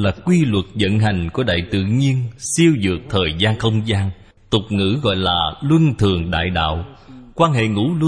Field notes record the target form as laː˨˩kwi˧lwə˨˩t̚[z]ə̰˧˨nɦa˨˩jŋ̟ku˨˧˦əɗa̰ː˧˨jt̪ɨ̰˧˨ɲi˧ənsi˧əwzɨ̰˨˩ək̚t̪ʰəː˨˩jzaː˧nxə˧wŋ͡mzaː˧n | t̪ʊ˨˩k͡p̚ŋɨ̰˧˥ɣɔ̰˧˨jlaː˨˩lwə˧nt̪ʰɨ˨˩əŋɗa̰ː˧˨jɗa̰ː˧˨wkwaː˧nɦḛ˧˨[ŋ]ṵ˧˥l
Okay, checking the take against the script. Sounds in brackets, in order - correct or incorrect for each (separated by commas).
correct, correct